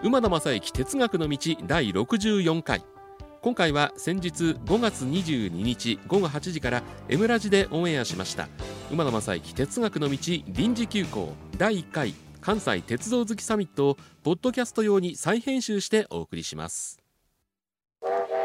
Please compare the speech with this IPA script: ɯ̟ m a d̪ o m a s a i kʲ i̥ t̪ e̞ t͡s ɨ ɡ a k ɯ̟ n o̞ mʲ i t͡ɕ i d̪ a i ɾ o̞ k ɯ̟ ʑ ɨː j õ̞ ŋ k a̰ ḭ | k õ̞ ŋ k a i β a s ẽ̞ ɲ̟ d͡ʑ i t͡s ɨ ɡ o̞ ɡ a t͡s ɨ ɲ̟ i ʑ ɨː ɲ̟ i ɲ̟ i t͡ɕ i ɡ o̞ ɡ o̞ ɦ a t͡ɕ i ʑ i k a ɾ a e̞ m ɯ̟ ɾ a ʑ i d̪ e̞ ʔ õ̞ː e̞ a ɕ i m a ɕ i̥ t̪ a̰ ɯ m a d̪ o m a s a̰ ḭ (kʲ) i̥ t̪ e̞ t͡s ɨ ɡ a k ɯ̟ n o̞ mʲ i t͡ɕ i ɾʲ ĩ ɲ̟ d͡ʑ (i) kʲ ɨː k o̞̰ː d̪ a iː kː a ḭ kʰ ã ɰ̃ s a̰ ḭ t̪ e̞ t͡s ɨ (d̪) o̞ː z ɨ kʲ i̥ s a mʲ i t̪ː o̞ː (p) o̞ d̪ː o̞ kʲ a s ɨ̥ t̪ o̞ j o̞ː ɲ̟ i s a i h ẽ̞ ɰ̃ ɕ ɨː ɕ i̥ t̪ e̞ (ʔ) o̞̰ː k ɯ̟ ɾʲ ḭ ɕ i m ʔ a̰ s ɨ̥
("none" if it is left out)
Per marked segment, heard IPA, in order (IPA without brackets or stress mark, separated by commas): kʲ, i, d̪, p, ʔ